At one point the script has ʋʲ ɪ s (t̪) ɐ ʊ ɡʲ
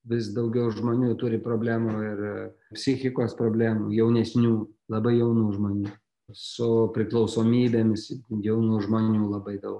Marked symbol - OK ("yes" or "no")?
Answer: no